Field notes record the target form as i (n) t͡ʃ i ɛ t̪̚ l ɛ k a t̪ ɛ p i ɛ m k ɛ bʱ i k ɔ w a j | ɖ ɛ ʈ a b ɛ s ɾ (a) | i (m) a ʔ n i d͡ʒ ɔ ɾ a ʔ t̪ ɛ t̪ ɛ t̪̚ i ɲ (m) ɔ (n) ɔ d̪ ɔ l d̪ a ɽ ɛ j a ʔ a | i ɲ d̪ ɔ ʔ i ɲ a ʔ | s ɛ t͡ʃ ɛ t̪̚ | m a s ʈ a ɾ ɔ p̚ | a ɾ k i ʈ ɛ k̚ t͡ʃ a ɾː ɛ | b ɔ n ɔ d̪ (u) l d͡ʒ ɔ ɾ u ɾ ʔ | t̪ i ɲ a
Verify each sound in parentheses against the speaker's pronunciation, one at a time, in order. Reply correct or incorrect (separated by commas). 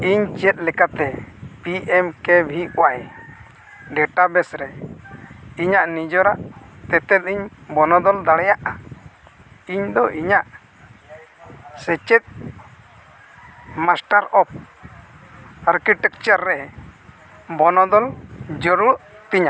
incorrect, incorrect, incorrect, incorrect, correct, incorrect